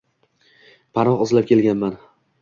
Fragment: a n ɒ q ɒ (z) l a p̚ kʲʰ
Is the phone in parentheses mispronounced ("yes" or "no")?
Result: no